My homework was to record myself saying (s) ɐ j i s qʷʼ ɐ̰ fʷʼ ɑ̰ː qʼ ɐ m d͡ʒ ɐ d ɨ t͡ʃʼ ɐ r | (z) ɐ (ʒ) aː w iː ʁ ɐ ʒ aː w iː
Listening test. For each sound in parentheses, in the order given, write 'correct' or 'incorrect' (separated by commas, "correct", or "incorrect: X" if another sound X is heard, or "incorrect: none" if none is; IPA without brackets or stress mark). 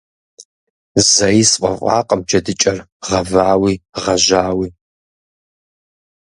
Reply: incorrect: z, incorrect: ʁ, incorrect: v